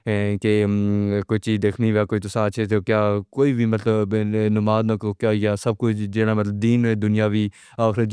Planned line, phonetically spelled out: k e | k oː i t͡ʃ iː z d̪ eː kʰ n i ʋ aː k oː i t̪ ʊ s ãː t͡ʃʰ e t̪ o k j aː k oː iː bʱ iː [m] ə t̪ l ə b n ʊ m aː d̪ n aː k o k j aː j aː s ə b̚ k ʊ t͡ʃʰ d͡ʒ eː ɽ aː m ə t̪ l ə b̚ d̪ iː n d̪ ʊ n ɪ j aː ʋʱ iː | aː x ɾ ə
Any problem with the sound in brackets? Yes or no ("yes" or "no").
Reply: no